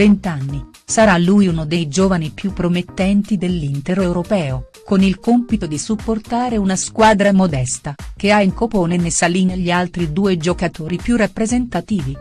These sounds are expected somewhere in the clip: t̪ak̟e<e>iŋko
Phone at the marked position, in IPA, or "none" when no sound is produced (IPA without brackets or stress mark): a